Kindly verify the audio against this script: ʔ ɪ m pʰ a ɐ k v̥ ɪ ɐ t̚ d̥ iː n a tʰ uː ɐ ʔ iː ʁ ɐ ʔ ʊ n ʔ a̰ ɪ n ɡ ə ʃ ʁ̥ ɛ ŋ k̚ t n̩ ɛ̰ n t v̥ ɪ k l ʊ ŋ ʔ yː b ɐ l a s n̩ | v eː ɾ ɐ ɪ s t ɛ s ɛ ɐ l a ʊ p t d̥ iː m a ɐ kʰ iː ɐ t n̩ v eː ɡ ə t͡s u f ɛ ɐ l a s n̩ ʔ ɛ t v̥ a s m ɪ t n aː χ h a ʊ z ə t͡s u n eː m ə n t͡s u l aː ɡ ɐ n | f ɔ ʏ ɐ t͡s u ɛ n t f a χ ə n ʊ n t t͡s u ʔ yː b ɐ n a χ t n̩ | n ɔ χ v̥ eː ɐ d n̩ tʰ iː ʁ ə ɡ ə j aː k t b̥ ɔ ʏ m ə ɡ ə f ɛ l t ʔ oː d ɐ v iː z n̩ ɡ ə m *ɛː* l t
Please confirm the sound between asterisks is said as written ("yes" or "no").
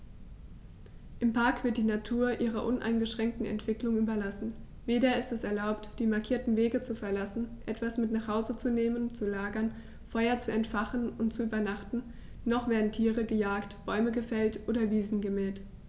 yes